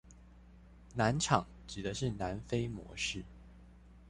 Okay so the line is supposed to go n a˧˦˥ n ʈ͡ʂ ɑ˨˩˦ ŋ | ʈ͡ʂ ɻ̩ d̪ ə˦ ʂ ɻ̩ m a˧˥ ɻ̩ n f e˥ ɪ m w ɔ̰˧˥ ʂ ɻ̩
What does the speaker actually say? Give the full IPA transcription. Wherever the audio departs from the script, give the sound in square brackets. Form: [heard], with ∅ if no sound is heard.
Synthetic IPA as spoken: n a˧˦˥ n [ʈ͡ʂʰ] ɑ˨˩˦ ŋ | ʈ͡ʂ ɻ̩ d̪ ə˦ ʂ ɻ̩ [n] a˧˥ [∅] n f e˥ ɪ m w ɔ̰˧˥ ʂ ɻ̩